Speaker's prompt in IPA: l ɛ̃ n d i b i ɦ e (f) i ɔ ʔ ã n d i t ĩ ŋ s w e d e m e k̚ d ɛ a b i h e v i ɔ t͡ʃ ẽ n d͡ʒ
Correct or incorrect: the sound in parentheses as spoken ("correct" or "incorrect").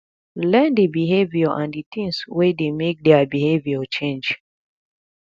incorrect